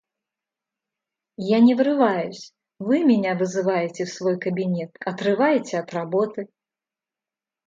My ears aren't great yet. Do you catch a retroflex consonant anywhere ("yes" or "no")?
no